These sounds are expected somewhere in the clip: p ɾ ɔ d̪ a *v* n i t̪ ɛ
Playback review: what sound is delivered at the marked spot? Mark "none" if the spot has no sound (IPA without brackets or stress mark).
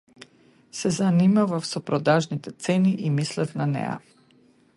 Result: ʒ